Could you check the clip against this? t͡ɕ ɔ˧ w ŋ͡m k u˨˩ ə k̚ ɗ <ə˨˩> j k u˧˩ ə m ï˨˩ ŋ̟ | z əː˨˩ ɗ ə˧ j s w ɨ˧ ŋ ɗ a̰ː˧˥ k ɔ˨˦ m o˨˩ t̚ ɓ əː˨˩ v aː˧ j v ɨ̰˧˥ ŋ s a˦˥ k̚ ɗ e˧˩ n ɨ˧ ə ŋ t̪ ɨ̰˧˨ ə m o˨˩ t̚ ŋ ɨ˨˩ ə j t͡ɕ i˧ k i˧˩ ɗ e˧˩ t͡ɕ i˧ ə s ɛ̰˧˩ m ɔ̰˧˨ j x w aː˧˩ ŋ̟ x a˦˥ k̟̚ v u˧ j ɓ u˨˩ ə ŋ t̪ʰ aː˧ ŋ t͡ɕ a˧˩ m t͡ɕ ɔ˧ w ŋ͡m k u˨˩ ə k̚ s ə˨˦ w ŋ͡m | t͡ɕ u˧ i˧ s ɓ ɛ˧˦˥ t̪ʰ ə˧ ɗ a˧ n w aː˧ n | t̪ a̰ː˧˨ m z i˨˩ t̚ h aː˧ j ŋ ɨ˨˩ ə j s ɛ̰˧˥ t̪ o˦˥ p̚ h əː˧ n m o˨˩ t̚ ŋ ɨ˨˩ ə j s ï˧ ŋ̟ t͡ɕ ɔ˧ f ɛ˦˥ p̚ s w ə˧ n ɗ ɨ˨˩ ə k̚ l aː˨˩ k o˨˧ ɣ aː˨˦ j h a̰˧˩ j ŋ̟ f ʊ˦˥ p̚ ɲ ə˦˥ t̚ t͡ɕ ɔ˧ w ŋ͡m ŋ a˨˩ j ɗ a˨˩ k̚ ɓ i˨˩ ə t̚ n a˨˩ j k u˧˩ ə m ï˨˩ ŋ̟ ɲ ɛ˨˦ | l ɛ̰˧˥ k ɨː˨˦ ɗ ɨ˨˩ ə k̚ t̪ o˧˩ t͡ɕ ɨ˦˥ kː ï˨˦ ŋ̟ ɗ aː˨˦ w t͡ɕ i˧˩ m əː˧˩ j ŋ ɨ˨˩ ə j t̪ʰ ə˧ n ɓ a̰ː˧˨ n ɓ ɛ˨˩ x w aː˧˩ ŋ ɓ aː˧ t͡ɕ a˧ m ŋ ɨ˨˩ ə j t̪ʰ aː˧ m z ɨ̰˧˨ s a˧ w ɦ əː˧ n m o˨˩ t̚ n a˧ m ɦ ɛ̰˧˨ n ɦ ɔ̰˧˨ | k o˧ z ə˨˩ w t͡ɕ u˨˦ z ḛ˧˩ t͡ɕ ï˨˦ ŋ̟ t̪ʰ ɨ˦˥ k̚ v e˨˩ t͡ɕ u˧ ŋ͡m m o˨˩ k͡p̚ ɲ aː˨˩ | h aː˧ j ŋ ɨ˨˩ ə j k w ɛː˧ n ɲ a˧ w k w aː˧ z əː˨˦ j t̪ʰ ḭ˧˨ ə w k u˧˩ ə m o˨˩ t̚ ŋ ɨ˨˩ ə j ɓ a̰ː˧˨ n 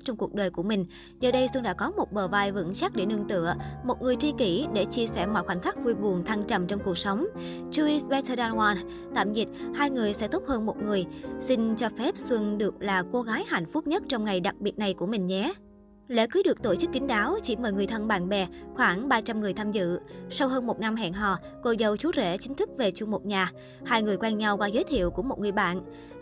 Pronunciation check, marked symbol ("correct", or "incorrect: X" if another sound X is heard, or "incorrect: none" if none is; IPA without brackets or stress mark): incorrect: əː˨˩